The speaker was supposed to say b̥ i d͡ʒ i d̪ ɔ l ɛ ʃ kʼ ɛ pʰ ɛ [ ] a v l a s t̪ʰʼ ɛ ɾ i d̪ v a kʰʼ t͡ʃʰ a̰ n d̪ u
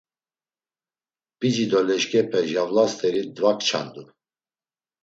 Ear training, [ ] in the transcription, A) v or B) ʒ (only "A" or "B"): B